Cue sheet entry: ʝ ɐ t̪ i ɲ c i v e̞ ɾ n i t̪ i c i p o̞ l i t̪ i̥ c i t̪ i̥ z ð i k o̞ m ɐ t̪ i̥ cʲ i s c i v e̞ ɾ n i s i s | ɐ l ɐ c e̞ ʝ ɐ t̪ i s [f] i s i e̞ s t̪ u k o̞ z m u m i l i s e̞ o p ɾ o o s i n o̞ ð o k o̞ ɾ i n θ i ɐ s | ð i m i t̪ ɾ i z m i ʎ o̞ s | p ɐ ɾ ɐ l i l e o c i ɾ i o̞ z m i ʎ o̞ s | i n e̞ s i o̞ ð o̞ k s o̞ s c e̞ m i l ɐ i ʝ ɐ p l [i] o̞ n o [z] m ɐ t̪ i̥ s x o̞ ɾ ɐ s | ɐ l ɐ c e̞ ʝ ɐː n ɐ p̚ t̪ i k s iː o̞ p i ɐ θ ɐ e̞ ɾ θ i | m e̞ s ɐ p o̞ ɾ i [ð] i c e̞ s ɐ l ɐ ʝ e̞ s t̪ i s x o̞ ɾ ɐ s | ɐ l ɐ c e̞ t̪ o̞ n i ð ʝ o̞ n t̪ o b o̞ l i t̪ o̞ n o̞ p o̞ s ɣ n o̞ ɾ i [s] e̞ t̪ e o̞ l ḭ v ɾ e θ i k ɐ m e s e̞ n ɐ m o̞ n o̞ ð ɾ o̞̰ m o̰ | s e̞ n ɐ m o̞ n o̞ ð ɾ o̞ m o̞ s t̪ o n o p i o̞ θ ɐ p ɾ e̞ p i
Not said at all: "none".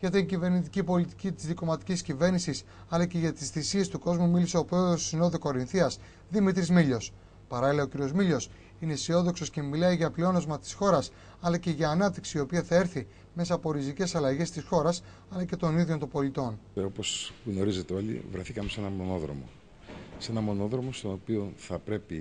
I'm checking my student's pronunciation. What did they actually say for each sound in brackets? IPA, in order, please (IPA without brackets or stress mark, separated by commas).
θ, i, z, z, z